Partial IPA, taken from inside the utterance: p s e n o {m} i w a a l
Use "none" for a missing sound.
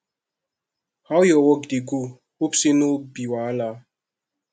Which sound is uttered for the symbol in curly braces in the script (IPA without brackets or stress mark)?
b